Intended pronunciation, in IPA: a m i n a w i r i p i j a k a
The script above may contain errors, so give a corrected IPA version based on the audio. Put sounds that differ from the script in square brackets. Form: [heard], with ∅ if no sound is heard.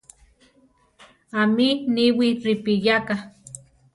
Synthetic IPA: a m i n [i] w i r i p i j a k a